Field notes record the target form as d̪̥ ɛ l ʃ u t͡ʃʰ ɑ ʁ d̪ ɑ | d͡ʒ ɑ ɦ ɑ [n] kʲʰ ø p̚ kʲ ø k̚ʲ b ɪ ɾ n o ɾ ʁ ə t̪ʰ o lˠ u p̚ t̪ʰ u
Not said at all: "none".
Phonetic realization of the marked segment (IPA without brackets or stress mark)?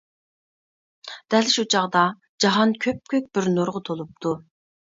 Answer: n